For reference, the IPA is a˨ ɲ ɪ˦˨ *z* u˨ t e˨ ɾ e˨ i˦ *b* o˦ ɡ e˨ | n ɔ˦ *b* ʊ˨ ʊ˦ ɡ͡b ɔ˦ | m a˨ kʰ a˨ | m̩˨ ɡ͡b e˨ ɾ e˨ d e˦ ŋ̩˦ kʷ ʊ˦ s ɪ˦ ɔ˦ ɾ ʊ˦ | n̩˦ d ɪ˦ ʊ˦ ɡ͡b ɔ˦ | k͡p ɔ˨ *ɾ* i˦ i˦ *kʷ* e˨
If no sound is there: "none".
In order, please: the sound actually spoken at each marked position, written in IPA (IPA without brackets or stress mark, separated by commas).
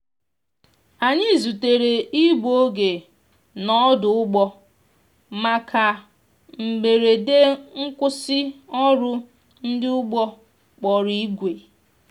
z, b, d, ɾ, ɡʷ